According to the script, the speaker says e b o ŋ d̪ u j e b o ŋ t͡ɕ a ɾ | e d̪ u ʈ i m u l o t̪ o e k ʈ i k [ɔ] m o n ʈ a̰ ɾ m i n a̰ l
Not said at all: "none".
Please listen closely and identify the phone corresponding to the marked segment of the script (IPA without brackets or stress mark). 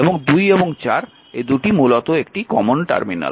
ɔ